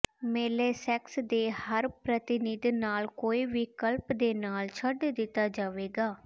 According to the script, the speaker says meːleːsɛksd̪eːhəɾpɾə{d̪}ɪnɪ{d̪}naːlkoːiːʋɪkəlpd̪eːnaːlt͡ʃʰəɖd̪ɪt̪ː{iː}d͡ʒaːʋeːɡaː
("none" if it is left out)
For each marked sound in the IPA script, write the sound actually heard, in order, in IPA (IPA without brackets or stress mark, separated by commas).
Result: t̪, d̪, aː